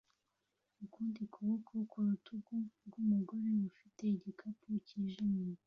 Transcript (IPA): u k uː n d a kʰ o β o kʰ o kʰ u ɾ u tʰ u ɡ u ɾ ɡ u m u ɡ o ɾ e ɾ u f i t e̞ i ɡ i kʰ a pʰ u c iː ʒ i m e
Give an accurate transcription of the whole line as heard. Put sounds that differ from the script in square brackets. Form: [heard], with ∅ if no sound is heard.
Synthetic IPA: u k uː n d [i] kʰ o β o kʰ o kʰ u ɾ u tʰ u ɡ u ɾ ɡ u m u ɡ o ɾ e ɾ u f i t e̞ i [ɟ] i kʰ a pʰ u c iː ʒ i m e